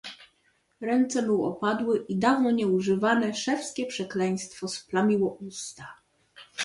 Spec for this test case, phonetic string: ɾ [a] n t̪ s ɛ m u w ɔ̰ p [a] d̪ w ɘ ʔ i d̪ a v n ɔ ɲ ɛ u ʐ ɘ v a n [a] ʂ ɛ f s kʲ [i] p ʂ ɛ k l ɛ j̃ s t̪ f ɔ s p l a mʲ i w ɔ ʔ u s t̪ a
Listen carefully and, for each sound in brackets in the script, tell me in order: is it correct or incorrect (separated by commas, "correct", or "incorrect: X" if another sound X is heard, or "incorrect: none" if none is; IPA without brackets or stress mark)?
incorrect: ɛ, correct, incorrect: ɛ, incorrect: ɛ